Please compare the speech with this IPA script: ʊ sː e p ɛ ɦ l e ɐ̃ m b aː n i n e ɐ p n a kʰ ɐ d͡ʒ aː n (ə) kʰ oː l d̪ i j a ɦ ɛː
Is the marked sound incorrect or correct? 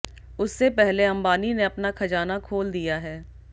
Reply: incorrect